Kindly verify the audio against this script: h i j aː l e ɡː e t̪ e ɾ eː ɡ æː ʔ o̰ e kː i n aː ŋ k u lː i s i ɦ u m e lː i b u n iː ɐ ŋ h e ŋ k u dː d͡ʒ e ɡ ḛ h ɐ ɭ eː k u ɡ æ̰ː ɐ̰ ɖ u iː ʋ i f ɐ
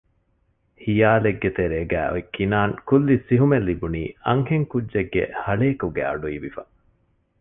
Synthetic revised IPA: h i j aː l e ɡː e t̪ e ɾ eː ɡ æː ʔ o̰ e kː i n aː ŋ k u lː i s i ɦ u m e lː i b u n iː ɐ ŋ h e ŋ k u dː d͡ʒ e ɡː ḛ h ɐ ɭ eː k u ɡ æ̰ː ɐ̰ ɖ u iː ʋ i f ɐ